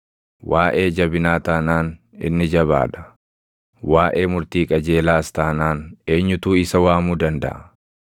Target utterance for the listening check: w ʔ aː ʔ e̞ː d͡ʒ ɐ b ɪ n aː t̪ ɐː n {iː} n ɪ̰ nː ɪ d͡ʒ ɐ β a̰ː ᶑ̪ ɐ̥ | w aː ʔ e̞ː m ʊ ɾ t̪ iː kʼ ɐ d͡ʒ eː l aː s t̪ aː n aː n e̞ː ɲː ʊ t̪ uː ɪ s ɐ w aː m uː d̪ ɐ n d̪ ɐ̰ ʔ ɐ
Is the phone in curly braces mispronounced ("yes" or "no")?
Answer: yes